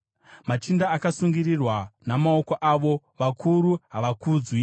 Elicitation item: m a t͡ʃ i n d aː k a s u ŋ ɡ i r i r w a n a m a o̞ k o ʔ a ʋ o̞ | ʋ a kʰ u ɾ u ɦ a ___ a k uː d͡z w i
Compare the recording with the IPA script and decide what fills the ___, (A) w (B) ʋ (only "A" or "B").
B